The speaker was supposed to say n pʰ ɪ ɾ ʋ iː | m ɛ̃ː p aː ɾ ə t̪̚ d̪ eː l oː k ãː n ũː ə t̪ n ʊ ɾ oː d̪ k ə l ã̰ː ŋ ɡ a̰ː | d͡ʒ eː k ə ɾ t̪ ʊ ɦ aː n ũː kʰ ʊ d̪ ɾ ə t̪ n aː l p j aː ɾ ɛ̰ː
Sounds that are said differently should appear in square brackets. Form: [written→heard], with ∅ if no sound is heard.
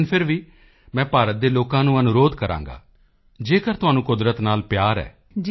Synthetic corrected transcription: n pʰ ɪ ɾ ʋ iː | m ɛ̃ː p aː ɾ ə t̪̚ d̪ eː l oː k ãː n ũː ə [t̪→∅] n ʊ ɾ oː d̪ k ə [l→ɾ] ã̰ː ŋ ɡ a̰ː | d͡ʒ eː k ə ɾ t̪ ʊ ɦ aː n ũː [kʰ→k] ʊ d̪ ɾ ə t̪ n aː l p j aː ɾ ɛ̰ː